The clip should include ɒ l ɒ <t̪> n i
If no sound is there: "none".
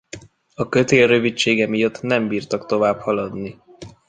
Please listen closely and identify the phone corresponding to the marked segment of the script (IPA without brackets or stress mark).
d̪